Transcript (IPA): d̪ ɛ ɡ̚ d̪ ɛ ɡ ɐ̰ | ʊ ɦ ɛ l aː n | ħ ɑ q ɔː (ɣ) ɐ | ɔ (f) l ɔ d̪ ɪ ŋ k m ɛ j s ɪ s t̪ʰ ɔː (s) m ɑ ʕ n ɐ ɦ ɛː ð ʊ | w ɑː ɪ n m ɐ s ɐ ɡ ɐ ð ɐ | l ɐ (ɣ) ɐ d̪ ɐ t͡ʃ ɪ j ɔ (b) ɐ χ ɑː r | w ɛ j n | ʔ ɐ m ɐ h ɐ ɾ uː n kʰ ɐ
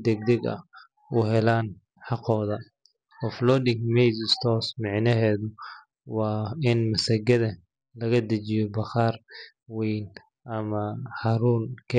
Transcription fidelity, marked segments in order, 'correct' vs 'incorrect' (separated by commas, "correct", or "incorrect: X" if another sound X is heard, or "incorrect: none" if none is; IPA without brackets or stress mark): incorrect: ð, correct, correct, correct, correct